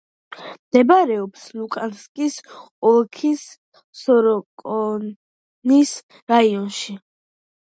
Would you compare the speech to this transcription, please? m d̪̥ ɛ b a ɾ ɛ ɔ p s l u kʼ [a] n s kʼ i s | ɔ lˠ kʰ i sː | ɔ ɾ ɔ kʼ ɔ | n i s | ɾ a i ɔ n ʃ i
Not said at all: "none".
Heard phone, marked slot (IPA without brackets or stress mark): a